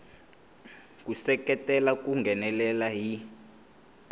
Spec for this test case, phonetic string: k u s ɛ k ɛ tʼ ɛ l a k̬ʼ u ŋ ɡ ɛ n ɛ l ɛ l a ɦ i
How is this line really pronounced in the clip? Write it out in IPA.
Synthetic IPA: k u s ɛ k ɛ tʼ ɛ l a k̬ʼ u ŋ ɡ ɛ n ɛ l ɛ l a ɦ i